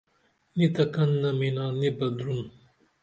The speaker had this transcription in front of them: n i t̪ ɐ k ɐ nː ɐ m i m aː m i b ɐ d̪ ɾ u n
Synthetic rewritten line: n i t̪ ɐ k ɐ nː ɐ m i n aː n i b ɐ d̪ ɾ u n